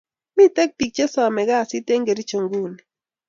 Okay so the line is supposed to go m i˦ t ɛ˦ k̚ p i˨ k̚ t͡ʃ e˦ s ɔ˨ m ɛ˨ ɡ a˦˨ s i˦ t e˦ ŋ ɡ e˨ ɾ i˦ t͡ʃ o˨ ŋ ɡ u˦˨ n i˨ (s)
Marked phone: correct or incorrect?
incorrect